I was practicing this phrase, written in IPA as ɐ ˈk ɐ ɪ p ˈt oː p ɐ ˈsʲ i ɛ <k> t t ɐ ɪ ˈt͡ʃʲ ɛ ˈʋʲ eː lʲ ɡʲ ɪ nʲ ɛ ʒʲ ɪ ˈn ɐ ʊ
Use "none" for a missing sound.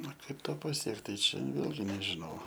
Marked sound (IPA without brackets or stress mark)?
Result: k